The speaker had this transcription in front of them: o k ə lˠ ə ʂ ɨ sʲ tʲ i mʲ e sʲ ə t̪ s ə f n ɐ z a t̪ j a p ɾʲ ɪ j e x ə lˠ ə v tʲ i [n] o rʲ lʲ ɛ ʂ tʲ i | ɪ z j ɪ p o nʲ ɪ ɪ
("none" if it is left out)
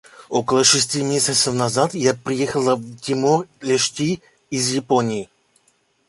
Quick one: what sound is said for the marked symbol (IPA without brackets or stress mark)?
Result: m